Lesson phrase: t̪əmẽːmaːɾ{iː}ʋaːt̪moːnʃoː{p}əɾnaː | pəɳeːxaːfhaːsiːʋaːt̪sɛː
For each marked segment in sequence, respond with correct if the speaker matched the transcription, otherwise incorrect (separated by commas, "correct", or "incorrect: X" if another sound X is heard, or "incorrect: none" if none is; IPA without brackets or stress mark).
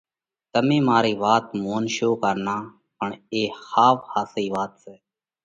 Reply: correct, incorrect: k